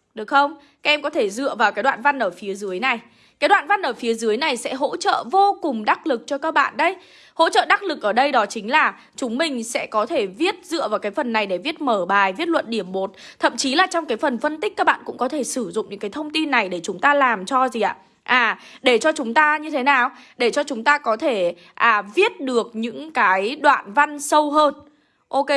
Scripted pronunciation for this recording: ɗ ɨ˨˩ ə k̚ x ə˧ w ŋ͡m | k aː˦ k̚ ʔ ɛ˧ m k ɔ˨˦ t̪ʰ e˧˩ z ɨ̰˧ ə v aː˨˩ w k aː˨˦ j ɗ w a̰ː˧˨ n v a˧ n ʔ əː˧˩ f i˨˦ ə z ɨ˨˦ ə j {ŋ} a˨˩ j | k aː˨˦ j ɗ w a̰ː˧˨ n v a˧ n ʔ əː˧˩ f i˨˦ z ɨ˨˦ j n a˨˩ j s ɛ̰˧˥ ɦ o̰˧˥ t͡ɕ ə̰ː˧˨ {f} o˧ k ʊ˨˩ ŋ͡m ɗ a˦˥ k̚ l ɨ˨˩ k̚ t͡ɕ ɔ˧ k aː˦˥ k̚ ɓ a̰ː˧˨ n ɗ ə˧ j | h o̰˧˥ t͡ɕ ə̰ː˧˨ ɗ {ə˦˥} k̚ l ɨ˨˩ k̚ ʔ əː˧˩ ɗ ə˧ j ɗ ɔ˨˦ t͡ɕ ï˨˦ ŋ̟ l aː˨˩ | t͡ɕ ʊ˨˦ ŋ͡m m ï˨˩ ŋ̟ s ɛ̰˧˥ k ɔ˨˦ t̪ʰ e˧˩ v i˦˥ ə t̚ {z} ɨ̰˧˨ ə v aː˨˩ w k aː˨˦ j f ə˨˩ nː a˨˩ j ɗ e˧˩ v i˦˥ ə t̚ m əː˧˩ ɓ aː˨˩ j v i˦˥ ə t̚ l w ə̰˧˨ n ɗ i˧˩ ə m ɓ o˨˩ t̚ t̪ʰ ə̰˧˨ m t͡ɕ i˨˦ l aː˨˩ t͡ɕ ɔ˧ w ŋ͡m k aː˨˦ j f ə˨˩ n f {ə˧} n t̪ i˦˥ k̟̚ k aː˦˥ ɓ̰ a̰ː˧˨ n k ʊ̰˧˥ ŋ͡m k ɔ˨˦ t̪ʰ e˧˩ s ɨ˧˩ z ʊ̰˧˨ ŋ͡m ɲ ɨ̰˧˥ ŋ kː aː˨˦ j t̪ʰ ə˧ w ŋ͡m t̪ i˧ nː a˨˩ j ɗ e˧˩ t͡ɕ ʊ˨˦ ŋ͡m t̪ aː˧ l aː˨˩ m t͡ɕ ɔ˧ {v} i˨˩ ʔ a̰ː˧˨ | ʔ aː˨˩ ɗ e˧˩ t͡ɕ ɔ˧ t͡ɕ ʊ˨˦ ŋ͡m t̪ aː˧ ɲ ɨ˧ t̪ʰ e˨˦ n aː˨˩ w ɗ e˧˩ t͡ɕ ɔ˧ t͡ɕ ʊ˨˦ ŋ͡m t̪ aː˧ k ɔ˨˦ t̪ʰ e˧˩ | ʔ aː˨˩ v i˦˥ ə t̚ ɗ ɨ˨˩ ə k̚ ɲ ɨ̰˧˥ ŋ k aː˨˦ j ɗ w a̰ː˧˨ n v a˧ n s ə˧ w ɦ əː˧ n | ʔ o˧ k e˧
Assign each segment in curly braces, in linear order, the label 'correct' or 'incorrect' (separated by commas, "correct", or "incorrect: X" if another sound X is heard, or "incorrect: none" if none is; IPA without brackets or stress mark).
incorrect: n, incorrect: v, incorrect: a˦˥, correct, correct, incorrect: z